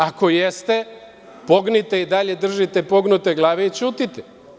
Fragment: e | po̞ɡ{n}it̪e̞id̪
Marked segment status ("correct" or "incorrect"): correct